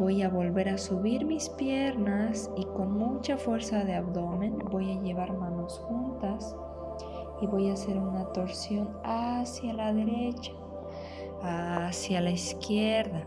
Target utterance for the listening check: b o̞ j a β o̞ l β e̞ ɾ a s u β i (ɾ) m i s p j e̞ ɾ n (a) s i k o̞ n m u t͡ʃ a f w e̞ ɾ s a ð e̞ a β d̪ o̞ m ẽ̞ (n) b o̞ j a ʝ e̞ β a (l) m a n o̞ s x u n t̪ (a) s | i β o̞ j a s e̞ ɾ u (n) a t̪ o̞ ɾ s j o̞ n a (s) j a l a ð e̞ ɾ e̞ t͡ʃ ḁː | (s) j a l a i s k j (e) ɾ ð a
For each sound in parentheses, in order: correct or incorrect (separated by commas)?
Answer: correct, correct, correct, incorrect, correct, correct, correct, correct, correct